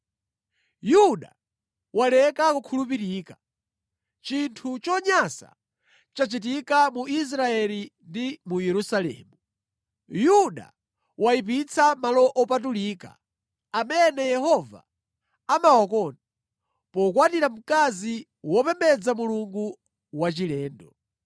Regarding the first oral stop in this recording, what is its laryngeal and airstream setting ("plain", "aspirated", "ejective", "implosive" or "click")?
implosive